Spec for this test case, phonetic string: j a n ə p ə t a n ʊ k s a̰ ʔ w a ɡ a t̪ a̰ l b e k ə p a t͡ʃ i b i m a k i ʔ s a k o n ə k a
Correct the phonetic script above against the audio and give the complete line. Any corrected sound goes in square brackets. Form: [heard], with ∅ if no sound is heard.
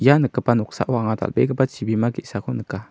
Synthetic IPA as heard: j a n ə [k] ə [p] a n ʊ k s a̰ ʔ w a [ŋ] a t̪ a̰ l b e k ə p a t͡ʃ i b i m a k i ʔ s a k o n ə k a